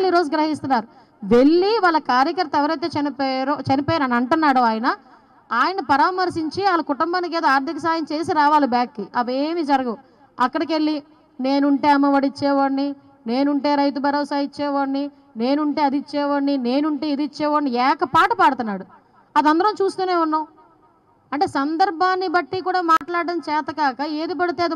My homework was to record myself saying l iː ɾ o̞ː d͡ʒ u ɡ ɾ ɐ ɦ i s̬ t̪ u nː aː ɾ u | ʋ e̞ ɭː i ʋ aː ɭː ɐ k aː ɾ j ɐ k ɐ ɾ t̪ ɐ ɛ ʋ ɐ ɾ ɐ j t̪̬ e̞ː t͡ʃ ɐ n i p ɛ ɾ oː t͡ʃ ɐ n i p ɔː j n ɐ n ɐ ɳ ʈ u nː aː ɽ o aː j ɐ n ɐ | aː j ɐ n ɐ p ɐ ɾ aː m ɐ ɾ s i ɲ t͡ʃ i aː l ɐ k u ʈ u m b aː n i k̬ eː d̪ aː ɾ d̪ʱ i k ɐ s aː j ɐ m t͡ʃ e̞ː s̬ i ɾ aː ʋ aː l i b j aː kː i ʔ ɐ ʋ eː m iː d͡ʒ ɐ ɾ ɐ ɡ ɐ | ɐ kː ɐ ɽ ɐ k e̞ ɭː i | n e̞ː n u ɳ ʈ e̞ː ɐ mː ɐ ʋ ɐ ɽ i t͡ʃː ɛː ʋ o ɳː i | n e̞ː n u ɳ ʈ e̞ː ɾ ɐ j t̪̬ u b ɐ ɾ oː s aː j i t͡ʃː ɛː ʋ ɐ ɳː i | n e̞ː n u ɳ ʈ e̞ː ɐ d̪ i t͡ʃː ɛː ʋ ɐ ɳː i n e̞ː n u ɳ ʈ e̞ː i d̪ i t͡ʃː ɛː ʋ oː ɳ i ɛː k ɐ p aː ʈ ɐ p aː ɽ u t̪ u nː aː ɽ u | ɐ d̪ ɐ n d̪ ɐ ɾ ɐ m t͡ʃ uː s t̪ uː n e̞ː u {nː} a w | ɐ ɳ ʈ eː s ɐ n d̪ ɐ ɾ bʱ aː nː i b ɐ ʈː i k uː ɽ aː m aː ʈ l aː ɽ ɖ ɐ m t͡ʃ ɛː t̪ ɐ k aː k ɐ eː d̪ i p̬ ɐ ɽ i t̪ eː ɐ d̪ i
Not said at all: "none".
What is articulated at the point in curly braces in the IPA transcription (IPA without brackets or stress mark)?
nː